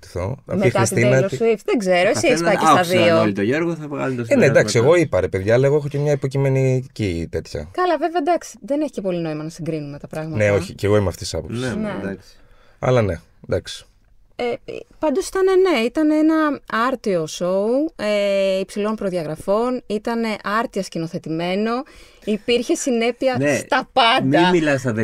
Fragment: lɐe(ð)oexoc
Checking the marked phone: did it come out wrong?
yes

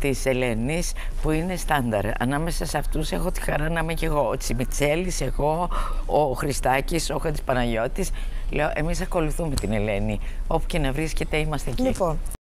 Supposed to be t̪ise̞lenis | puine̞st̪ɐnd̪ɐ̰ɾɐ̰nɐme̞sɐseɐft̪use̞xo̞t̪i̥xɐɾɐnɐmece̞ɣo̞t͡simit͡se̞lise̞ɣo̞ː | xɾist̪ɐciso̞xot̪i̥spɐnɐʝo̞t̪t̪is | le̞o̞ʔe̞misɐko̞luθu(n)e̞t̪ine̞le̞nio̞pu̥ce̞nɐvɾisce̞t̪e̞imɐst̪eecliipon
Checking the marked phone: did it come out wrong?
yes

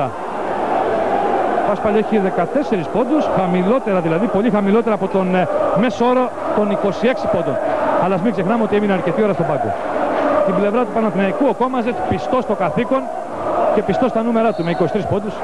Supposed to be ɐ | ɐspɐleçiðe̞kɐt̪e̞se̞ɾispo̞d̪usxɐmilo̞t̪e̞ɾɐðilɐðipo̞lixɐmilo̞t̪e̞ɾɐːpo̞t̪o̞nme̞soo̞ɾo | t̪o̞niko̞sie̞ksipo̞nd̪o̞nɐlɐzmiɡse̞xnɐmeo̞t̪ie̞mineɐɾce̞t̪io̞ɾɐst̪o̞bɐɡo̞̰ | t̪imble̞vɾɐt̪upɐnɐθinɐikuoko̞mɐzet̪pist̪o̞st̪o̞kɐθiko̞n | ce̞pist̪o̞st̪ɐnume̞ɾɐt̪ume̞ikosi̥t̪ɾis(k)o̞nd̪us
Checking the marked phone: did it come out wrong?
yes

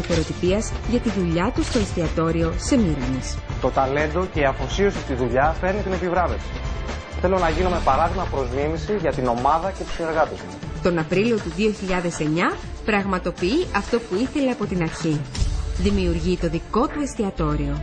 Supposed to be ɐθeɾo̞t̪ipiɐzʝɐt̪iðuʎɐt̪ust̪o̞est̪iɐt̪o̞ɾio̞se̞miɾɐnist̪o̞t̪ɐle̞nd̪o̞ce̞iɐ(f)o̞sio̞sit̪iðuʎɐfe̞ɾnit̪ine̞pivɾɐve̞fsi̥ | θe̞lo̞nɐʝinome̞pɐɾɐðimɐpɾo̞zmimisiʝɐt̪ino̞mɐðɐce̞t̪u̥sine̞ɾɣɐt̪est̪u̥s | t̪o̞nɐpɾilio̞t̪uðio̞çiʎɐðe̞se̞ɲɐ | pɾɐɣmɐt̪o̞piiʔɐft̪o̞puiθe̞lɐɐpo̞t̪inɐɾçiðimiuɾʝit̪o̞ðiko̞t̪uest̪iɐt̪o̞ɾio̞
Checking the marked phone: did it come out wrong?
no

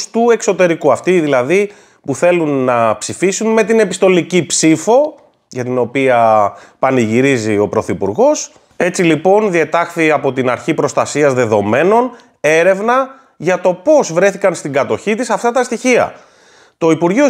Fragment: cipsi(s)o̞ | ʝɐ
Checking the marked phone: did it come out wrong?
yes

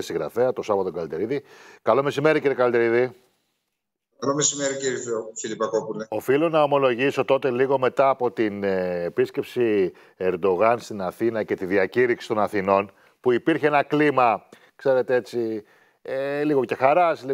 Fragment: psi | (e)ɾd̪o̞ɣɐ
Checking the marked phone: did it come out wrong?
no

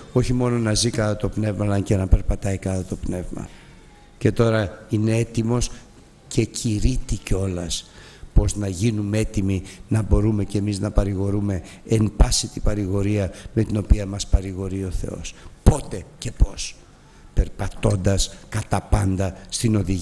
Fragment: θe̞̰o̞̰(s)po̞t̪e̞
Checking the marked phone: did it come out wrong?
no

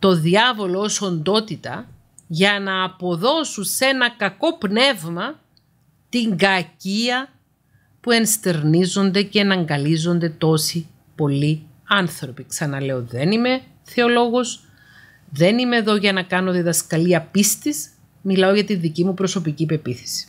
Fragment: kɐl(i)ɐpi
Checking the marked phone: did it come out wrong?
no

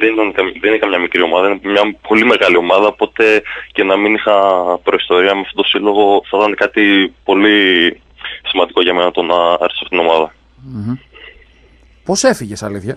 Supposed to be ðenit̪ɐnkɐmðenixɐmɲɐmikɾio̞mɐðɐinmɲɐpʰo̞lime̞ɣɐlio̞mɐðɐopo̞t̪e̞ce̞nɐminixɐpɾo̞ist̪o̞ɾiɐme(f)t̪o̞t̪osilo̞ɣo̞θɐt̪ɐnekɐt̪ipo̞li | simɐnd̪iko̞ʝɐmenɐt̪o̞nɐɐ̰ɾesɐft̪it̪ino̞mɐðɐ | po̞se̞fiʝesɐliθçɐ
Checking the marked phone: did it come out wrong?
no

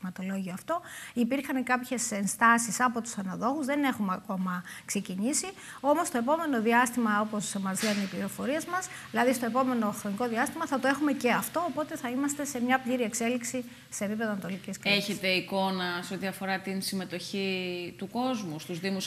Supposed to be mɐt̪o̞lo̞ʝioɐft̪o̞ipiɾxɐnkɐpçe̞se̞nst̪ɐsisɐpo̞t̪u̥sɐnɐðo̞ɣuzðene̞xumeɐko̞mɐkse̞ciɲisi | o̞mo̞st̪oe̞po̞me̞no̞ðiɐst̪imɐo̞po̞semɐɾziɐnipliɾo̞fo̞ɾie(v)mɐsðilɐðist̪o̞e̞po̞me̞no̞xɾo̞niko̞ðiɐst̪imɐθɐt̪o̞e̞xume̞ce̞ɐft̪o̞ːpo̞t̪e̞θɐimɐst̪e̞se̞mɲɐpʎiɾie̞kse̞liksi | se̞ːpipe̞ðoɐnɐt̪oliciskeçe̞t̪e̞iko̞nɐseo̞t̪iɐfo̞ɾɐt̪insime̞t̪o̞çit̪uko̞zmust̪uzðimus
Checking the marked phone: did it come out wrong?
yes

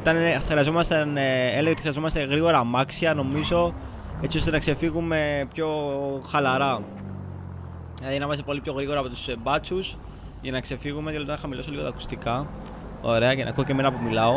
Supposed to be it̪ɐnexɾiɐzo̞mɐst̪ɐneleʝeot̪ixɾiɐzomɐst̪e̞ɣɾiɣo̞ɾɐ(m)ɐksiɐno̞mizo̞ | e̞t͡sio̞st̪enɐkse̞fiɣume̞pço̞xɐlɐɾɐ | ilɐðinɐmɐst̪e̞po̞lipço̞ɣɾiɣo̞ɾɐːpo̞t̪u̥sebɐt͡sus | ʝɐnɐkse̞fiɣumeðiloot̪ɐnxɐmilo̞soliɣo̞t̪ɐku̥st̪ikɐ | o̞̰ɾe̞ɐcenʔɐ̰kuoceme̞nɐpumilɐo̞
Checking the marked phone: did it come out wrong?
no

